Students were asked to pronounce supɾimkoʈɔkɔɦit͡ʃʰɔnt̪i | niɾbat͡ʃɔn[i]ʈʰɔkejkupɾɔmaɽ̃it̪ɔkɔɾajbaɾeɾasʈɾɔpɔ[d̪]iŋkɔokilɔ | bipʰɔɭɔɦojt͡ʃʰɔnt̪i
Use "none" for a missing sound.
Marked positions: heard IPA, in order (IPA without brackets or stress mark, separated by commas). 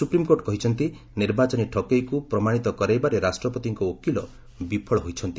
i, t̪